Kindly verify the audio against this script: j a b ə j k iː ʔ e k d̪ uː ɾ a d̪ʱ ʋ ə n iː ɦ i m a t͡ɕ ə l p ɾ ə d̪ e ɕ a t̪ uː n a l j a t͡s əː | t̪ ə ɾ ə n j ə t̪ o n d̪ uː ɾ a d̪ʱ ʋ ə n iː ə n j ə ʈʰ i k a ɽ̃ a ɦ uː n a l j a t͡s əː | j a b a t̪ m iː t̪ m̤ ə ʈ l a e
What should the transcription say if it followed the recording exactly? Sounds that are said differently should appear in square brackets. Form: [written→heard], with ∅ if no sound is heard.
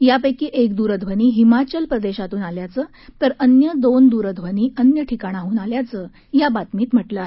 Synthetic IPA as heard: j a [b→p] ə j k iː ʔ e k d̪ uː ɾ [a→ə] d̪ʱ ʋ ə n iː ɦ i m a t͡ɕ ə l p ɾ ə d̪ e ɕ a t̪ uː n a l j a t͡s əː | t̪ ə ɾ ə n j ə [t̪→d̪] o n d̪ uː ɾ [a→ə] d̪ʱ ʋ ə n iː ə n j ə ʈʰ i k a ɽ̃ a ɦ uː n a l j a t͡s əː | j a b a t̪ m iː t̪ m̤ ə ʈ l a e

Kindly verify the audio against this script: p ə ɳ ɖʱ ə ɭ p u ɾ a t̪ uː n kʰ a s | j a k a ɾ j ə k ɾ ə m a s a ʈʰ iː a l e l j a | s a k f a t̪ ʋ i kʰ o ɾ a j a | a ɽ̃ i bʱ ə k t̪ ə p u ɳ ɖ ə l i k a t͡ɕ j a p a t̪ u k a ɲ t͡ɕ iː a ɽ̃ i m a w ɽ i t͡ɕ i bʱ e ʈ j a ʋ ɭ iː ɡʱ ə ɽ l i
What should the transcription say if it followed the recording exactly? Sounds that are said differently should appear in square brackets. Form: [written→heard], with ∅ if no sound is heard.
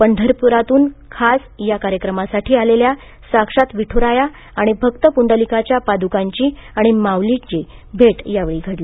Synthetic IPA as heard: p ə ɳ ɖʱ ə [ɭ→ɾ] p u ɾ a t̪ uː n kʰ a s | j a k a ɾ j ə k ɾ ə m a s a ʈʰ iː a l e l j a | s a k [f→ʂ] a t̪ ʋ i [kʰ→ʈʰ] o ɾ a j a | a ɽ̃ i bʱ ə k t̪ ə p u ɳ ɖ ə l i k a t͡ɕ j a p a [t̪→d̪] u k a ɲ t͡ɕ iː a ɽ̃ i m a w [ɽ→l] i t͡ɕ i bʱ e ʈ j a ʋ ɭ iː ɡʱ ə ɽ l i

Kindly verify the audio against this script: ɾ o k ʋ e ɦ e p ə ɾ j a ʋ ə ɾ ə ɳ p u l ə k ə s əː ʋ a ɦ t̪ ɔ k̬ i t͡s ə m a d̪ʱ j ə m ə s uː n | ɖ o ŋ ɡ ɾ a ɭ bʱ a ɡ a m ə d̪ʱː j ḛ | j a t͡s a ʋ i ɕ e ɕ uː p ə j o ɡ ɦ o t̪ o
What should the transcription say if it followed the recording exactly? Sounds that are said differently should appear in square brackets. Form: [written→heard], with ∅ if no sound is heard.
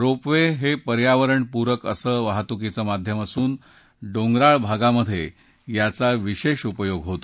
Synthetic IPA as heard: ɾ o [k→p] ʋ e ɦ e p ə ɾ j a ʋ ə ɾ ə ɳ p u [l→ɾ] ə k ə s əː ʋ a ɦ t̪ [ɔ→u] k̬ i t͡s ə m a d̪ʱ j ə m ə s uː n | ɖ o ŋ ɡ ɾ a ɭ bʱ a ɡ a m ə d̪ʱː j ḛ | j a t͡s a ʋ i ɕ e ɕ [uː→u] p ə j o ɡ ɦ o t̪ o

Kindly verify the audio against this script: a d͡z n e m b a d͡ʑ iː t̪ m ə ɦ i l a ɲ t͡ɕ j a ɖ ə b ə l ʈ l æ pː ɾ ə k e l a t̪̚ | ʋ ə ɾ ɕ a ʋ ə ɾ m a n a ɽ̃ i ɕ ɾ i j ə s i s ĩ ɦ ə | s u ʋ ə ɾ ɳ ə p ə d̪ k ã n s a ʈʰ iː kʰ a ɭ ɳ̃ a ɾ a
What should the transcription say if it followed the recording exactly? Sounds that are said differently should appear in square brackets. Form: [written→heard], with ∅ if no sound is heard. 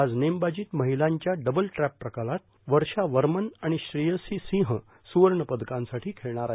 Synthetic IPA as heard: a d͡z n e m b a d͡ʑ iː t̪ m ə ɦ i l a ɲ t͡ɕ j a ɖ ə b ə l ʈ [l→ɾ] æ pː ɾ ə k [e→a] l a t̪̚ | ʋ ə ɾ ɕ a ʋ ə ɾ m [a→ə] n a ɽ̃ i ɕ ɾ i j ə s i s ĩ ɦ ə | s u ʋ ə ɾ ɳ ə p ə d̪ k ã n s a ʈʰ iː kʰ [a→e] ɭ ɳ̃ a ɾ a

